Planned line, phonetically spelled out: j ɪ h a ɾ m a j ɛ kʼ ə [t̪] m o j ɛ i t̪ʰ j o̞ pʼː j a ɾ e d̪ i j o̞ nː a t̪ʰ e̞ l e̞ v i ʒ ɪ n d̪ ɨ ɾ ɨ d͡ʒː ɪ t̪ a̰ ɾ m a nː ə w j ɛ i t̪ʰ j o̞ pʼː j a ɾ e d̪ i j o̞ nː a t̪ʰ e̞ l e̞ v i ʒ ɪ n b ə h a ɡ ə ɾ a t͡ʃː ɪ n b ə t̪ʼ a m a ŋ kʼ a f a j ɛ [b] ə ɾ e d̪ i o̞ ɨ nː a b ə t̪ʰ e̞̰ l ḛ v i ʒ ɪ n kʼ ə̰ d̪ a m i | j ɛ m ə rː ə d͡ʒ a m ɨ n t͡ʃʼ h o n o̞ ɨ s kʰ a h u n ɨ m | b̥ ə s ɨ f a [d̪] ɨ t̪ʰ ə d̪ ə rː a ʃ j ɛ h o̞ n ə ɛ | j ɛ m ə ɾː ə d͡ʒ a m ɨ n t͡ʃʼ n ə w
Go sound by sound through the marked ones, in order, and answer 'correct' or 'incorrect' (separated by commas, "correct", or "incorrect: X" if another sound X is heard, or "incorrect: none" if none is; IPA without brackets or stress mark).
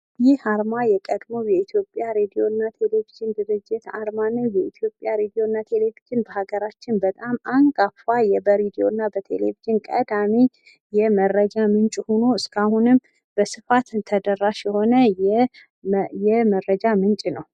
incorrect: d̪, correct, incorrect: t̪